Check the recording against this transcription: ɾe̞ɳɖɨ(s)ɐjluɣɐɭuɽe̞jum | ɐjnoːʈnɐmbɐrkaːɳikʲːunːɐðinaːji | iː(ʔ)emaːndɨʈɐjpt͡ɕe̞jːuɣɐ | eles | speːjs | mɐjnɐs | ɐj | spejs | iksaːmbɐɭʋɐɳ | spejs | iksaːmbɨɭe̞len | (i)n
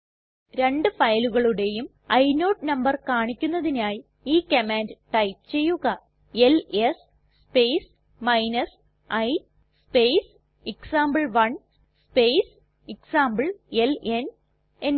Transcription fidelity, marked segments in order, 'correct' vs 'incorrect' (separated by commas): incorrect, incorrect, incorrect